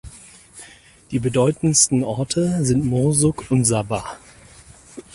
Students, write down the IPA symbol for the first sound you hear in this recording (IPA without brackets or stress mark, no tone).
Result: d̥